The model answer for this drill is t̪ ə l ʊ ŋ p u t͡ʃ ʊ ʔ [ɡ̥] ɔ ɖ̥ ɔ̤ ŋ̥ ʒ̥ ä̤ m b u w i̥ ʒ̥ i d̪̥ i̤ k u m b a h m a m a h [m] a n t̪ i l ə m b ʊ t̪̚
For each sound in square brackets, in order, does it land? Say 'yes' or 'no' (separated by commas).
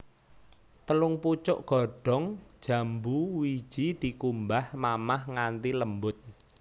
yes, no